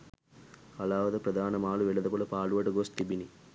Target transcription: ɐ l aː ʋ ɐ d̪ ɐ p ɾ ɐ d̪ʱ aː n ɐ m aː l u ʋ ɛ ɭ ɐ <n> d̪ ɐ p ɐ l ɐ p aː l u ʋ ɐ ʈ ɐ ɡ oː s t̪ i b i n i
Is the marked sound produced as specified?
no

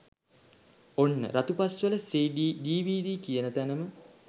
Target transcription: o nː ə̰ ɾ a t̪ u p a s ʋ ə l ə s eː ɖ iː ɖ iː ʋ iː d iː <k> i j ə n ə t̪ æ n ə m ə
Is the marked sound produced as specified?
yes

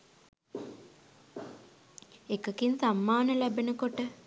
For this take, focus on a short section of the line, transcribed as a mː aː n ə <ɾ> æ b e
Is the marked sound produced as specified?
no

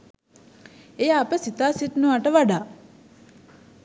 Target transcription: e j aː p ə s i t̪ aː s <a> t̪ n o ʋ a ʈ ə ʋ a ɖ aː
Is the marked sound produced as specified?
no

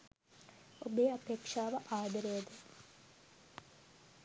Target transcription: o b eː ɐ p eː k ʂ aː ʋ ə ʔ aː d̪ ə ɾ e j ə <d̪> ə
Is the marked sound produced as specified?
yes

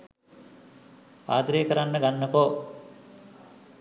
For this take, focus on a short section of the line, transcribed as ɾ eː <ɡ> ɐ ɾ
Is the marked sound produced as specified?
no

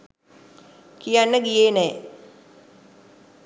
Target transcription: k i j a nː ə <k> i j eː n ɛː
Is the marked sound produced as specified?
no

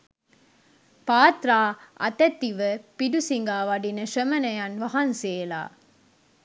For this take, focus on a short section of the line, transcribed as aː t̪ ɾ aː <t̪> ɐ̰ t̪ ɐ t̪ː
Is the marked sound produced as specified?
no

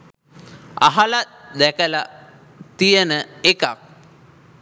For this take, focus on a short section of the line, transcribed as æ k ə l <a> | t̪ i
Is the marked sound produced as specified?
yes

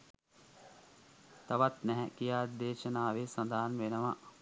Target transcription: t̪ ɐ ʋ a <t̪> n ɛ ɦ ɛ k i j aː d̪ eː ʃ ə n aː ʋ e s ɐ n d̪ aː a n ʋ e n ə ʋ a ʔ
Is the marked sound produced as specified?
yes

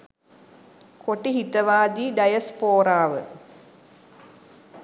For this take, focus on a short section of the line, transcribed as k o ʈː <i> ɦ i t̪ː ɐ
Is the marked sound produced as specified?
yes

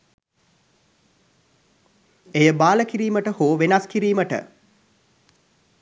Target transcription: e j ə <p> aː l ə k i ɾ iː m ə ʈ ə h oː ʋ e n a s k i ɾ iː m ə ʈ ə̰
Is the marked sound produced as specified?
no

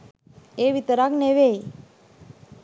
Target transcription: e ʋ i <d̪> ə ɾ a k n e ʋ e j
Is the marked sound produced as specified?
no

